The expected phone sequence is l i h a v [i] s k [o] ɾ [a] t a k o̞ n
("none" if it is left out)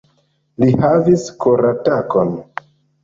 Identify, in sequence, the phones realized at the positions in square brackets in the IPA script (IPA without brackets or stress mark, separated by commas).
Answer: i, o, a